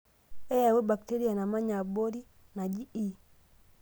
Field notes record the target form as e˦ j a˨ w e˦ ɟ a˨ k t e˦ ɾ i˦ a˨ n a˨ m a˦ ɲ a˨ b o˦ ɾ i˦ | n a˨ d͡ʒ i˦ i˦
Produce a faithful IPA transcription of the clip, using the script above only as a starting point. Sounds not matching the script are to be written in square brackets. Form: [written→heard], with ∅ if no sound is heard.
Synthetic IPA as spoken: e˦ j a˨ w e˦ [ɟ→b] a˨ k t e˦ ɾ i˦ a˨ n a˨ m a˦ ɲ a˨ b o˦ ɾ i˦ | n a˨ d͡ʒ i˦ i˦